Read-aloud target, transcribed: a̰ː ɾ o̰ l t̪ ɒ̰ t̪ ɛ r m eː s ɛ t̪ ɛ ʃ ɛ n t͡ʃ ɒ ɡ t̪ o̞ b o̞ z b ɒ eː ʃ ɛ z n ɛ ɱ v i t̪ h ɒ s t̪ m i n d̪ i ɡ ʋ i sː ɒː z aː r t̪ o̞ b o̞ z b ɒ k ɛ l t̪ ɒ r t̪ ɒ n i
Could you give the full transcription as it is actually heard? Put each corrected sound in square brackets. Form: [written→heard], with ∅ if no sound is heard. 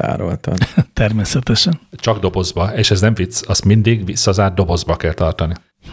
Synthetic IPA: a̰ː ɾ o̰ l t̪ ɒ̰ t̪ ɛ r m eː s ɛ t̪ ɛ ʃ ɛ n t͡ʃ ɒ ɡ [t̪→d̪] o̞ b o̞ z b ɒ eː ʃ ɛ z n ɛ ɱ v i t̪ [h→s] ɒ s t̪ m i n d̪ i ɡ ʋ i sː [ɒː→ɒ] z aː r [t̪→d̪] o̞ b o̞ z b ɒ k ɛ l t̪ ɒ r t̪ ɒ n i